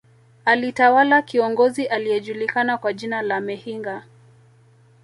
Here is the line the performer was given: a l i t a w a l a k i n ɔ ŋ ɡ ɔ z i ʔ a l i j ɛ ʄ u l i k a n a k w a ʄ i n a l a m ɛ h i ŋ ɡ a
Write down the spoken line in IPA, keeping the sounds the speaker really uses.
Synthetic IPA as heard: a l i t a w a l a k i ɔ ŋ ɡ ɔ z i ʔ a l i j ɛ ʄ u l i k a n a k w a ʄ i n a l a m ɛ h i ŋ ɡ a